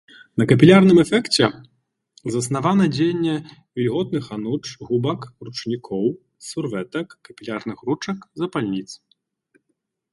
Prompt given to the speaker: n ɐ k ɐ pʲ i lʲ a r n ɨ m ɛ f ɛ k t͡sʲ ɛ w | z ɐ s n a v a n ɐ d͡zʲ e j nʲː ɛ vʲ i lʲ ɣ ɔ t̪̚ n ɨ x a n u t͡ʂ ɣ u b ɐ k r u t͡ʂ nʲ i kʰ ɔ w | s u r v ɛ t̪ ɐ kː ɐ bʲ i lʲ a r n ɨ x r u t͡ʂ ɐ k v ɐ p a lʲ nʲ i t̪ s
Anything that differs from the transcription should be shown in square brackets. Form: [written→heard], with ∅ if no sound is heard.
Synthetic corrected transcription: n ɐ k ɐ pʲ i lʲ a r n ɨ m ɛ f ɛ k t͡sʲ ɛ [w→∅] | z ɐ s n a v a n ɐ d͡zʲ e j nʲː ɛ vʲ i lʲ ɣ ɔ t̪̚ n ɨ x a n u t͡ʂ ɣ u b ɐ k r u t͡ʂ nʲ i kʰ ɔ w | s u r v ɛ t̪ ɐ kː ɐ [bʲ→pʲ] i lʲ a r n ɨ x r u t͡ʂ ɐ k [v→z] ɐ p a lʲ nʲ i t̪ s